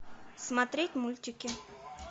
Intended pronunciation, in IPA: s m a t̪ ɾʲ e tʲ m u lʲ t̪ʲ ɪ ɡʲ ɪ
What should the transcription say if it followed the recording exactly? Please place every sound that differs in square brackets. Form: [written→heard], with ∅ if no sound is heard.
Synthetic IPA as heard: s m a t̪ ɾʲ e tʲ m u lʲ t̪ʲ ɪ [ɡʲ→kʲ] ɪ